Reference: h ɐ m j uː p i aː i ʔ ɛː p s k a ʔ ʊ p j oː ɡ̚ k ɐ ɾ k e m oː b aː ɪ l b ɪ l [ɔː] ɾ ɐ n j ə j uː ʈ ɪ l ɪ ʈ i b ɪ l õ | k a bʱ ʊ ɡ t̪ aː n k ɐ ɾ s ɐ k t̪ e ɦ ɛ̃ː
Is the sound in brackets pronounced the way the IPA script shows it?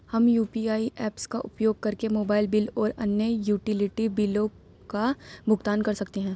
yes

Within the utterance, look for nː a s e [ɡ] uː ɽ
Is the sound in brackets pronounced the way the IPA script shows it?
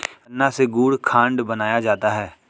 yes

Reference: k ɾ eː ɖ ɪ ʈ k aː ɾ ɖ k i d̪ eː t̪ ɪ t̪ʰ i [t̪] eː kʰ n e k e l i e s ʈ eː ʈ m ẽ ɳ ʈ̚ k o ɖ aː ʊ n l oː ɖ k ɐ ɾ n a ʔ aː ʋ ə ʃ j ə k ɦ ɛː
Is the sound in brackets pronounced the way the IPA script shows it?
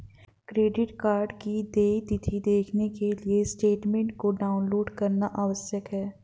no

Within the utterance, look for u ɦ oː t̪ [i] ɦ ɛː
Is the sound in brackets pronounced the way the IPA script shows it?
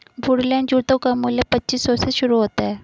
no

